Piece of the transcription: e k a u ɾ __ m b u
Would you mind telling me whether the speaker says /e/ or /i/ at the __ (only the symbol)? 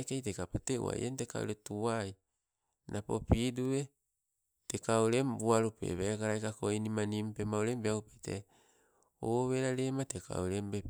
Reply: e